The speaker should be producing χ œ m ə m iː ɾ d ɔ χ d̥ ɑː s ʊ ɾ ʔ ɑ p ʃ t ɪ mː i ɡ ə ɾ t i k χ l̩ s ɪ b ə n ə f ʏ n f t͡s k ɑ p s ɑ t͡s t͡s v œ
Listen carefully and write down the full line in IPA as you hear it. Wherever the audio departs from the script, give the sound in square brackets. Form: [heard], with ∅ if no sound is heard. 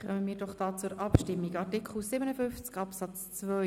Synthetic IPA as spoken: χ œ m ə m iː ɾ d ɔ χ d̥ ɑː [t͡s] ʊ ɾ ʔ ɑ p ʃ t ɪ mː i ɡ [ɑ] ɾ t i k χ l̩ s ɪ b ə n ə f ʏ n f t͡s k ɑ p s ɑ t͡s t͡s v œ

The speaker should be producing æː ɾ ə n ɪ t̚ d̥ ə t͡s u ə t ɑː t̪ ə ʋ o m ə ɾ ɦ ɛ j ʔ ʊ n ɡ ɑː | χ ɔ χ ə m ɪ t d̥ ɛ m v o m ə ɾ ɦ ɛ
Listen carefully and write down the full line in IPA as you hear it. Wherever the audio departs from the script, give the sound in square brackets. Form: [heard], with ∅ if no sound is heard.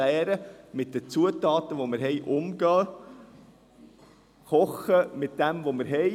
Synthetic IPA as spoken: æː ɾ ə [m] ɪ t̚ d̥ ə t͡s u ə t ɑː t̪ ə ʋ o m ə ɾ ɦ ɛ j ʔ ʊ [m] ɡ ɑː | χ ɔ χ ə m ɪ t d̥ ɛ m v o m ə ɾ ɦ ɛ

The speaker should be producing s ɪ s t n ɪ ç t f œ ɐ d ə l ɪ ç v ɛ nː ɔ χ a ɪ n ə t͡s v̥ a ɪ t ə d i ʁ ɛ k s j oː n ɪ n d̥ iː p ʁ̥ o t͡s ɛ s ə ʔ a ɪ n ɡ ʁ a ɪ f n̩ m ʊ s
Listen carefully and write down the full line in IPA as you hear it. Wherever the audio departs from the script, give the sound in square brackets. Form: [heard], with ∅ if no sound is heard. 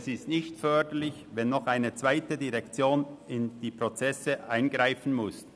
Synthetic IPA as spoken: s ɪ s t n ɪ ç t f œ ɐ d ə l ɪ ç v ɛ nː ɔ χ a ɪ n ə t͡s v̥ a ɪ t ə d i ʁ ɛ k [t͡s] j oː n ɪ n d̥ iː p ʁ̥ o t͡s ɛ s ə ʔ a ɪ n ɡ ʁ a ɪ f n̩ m ʊ s

